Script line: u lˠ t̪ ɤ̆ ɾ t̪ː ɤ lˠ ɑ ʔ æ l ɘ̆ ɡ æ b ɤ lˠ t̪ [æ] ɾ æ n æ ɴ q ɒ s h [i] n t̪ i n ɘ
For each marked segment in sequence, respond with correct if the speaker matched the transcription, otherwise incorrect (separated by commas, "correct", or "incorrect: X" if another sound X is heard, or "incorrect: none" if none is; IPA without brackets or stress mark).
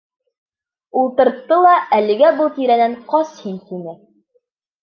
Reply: incorrect: i, correct